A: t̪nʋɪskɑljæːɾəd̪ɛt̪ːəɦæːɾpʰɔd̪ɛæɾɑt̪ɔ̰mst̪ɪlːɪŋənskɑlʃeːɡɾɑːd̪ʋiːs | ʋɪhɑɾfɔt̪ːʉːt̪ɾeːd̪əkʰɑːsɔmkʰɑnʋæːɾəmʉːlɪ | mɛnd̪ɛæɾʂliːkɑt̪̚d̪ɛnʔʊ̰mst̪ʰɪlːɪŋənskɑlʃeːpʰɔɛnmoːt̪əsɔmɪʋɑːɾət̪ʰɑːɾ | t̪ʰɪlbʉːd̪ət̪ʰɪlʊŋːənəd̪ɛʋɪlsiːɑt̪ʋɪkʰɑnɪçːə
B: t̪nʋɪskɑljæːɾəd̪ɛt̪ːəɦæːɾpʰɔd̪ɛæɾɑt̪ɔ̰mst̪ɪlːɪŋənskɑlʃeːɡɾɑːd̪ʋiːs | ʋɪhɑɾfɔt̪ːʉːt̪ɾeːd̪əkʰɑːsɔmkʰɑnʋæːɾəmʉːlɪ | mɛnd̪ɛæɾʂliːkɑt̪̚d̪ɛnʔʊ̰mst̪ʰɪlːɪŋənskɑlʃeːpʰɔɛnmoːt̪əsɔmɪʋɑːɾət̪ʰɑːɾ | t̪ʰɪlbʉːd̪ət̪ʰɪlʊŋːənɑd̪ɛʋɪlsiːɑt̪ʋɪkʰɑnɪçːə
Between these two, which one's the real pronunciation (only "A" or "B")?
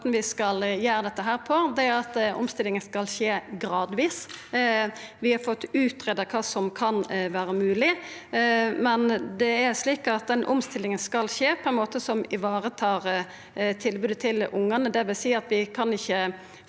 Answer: A